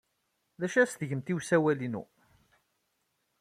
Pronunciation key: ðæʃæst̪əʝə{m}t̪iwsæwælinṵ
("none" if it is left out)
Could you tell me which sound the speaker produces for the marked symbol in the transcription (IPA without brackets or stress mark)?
m